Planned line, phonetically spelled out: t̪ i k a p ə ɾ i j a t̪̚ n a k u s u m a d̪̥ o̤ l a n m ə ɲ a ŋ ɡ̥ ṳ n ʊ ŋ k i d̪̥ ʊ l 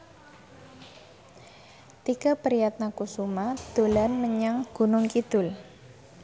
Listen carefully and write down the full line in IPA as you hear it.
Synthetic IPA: t̪ i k a p ə ɾ i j a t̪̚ n a k u s u m a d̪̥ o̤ l a n m ə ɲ a ŋ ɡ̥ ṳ n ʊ ŋ k i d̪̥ ʊ l